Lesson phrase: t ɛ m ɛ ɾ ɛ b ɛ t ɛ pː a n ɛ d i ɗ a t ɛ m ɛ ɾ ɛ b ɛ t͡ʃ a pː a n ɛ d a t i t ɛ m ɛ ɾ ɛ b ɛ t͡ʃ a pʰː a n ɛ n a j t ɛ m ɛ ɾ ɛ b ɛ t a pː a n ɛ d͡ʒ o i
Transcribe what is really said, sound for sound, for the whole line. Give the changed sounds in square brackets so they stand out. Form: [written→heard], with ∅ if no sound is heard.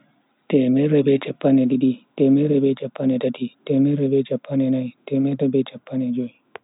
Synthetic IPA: t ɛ m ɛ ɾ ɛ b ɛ [t→t͡ʃ] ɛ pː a n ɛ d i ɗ [a→i] t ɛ m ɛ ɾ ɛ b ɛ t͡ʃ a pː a n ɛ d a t i t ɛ m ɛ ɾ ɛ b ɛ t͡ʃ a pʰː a n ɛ n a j t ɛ m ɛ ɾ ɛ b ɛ [t→t͡ʃ] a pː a n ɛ d͡ʒ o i